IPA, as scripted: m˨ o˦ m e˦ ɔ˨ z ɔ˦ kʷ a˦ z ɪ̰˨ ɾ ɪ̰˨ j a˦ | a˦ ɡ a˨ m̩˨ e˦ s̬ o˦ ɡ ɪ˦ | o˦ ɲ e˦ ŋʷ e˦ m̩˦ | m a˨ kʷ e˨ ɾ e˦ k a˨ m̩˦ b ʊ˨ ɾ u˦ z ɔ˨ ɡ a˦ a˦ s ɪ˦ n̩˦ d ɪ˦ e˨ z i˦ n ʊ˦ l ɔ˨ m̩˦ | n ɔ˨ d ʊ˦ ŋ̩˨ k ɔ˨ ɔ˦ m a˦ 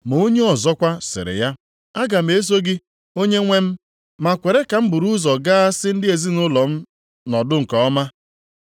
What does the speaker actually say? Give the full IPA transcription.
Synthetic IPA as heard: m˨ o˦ ɲ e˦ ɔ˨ z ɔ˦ kʷ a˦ s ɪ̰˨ ɾ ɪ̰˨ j a˦ | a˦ ɡ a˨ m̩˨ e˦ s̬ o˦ ɡ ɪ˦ | o˦ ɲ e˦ ŋʷ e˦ m̩˦ | m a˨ kʷ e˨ ɾ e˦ k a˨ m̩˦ b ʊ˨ ɾ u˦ z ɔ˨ ɡ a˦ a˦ s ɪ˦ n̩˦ d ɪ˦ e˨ z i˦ n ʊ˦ l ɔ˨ m̩˦ | n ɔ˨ d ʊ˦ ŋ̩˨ k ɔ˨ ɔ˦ m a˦